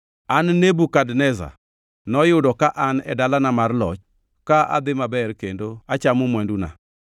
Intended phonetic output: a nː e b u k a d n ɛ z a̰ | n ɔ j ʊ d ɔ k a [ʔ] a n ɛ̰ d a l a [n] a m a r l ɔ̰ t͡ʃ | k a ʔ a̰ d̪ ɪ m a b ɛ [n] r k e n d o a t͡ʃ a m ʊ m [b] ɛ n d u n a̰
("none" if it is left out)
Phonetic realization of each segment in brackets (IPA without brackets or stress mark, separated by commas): ʔ, n, none, w